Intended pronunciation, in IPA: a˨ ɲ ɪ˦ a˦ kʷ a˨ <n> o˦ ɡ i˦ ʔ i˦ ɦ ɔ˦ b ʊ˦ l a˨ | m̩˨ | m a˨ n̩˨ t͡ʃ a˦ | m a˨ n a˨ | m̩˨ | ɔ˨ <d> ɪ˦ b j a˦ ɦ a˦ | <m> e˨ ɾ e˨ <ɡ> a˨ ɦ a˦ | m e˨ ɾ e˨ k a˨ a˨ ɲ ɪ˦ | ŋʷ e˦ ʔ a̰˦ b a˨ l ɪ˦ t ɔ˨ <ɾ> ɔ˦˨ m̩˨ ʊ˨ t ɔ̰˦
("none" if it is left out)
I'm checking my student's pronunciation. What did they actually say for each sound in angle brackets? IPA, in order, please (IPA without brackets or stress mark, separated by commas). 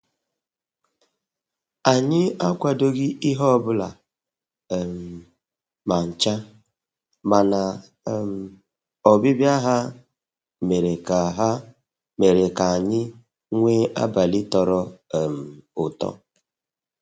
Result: d, b, m, k, ɾ